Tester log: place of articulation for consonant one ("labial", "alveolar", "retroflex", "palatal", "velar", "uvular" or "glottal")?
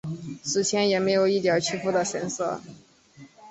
retroflex